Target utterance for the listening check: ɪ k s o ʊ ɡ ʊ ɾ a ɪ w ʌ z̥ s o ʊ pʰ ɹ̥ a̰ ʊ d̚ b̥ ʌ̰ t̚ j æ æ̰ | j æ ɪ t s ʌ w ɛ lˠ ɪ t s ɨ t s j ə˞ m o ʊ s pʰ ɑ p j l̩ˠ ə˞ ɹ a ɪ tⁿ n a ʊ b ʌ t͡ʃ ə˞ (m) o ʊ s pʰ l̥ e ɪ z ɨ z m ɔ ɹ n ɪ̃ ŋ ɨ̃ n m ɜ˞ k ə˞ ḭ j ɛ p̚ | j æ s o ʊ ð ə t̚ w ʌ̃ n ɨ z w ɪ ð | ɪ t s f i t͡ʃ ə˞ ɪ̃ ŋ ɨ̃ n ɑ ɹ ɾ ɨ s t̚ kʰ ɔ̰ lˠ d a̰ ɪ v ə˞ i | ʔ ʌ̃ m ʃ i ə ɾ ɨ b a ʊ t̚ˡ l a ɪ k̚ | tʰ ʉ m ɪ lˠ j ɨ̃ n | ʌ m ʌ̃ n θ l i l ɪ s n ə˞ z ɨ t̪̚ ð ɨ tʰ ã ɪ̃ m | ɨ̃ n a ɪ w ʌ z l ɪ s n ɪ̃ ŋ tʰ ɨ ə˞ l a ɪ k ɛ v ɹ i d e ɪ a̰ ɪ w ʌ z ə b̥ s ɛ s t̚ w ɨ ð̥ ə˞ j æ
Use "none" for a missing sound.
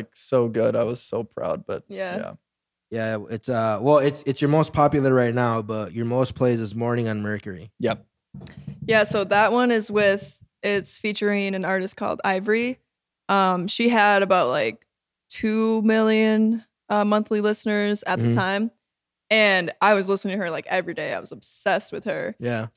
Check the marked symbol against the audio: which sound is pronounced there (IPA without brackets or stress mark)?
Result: m